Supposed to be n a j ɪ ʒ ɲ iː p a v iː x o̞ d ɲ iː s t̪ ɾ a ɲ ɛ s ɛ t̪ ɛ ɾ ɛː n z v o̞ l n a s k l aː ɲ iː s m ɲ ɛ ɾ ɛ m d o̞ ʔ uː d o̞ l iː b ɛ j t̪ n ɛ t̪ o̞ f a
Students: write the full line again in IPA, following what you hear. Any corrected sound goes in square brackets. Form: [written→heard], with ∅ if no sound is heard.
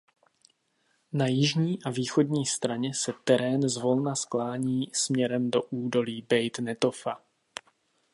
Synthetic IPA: n a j ɪ ʒ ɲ iː [p→ʔ] a v iː x o̞ d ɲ iː s t̪ ɾ a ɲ ɛ s ɛ t̪ ɛ ɾ ɛː n z v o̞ l n a s k l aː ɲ iː s m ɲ ɛ ɾ ɛ m d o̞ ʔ uː d o̞ l iː b ɛ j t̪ n ɛ t̪ o̞ f a